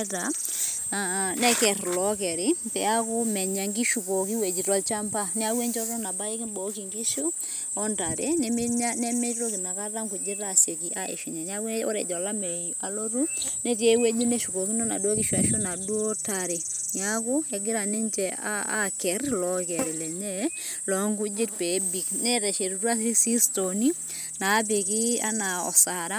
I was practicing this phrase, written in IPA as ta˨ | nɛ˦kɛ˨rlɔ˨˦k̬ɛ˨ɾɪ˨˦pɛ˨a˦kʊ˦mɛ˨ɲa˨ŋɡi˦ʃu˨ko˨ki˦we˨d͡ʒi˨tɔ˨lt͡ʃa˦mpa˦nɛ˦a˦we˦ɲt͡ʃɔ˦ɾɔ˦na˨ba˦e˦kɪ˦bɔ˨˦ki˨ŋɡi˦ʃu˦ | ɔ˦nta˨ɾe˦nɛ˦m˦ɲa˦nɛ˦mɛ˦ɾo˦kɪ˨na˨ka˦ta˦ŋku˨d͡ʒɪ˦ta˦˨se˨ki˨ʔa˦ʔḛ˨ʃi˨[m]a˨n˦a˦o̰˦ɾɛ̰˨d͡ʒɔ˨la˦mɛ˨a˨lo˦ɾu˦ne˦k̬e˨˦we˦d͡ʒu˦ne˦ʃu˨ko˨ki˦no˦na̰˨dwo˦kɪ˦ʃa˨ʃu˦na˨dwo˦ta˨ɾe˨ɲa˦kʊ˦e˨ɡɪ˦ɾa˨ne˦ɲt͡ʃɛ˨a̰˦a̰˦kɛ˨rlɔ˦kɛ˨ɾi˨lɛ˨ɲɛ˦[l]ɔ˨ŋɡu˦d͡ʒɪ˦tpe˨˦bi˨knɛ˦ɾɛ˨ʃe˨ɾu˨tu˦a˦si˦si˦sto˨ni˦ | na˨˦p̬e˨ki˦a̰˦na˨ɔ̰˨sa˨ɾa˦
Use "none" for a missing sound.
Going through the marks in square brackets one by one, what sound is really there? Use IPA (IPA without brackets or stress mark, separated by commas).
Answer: ɲ, l